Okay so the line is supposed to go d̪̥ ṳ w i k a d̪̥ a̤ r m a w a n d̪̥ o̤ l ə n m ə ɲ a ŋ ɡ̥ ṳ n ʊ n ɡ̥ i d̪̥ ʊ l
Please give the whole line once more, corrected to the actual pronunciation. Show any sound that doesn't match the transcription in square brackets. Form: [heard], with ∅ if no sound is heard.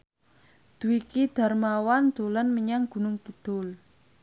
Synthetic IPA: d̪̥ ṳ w i k [i] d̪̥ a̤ r m a w a n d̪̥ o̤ l ə n m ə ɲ a ŋ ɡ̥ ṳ n ʊ [ŋ] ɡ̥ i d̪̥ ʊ l